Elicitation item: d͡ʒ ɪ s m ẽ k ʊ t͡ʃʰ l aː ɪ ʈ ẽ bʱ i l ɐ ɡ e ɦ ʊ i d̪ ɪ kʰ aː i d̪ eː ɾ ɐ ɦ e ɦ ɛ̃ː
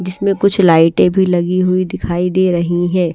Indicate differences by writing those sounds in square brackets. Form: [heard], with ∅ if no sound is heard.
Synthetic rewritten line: d͡ʒ ɪ s m ẽ k ʊ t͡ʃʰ l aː ɪ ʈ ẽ bʱ i l ɐ ɡ [i] ɦ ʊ i d̪ ɪ kʰ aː i d̪ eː ɾ ɐ ɦ [i] ɦ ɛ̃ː